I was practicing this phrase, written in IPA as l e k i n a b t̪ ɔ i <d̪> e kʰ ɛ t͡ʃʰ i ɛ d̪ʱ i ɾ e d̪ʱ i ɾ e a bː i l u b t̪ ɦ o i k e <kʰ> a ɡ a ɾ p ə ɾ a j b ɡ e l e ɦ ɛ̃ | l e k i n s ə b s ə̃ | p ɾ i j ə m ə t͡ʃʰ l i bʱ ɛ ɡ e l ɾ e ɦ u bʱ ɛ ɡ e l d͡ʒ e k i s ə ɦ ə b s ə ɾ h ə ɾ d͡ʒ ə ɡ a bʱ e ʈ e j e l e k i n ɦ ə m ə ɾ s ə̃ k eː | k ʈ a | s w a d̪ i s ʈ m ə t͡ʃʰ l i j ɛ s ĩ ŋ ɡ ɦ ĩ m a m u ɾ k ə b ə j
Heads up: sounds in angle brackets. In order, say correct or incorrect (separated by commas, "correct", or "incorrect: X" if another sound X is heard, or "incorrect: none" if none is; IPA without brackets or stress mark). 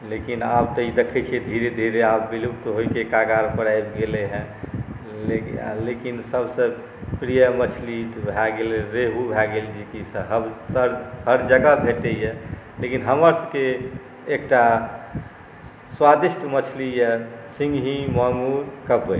correct, incorrect: k